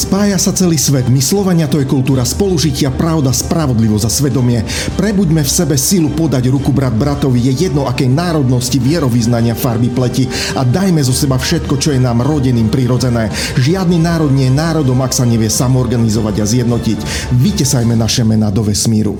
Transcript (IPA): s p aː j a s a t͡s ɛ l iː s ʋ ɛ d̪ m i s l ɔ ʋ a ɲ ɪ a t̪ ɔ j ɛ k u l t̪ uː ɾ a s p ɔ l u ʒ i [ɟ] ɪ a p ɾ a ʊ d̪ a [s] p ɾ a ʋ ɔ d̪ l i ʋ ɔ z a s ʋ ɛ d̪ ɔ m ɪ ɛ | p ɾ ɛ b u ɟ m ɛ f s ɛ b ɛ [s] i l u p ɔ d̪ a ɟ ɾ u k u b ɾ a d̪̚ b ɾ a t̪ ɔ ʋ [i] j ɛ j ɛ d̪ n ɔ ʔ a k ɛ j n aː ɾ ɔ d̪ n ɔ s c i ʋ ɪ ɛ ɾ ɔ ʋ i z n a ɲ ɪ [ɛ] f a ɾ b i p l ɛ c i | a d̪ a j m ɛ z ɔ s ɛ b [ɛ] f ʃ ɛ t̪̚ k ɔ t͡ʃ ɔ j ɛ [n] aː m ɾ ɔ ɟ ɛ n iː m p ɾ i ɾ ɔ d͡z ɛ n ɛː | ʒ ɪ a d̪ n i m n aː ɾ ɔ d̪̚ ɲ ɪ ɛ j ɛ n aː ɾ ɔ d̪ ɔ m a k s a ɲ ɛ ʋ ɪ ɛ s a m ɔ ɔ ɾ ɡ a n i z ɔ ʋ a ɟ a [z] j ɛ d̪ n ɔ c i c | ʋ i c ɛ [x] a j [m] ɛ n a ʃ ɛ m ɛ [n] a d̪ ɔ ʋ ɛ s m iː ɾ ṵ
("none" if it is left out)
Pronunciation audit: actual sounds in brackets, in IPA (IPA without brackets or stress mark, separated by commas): c, s, s, i, a, a, n, z, s, m, n